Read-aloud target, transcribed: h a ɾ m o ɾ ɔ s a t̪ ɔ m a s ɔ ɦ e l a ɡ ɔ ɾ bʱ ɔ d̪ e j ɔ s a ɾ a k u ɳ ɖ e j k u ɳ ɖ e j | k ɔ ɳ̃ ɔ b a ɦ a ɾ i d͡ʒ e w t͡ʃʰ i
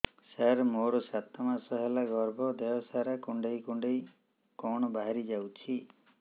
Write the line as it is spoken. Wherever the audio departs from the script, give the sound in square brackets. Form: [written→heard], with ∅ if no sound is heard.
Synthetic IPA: [h→s] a ɾ m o ɾ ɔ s a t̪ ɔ m a s ɔ ɦ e l a ɡ ɔ ɾ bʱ ɔ d̪ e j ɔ s a ɾ a k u ɳ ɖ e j k u ɳ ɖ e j | k ɔ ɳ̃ ɔ b a ɦ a ɾ i d͡ʒ [e→a] w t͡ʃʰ i